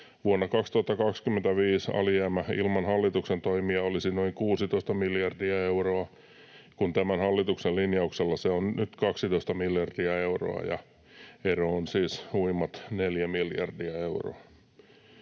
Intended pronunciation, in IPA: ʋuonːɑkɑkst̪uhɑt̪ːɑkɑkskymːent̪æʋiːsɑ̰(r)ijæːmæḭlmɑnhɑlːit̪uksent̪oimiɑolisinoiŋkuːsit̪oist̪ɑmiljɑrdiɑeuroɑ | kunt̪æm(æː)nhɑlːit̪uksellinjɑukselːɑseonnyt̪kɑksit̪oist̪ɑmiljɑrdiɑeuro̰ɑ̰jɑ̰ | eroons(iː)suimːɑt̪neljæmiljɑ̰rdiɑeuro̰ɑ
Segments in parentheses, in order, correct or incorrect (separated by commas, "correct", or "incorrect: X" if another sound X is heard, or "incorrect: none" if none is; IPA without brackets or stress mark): incorrect: l, incorrect: æ, correct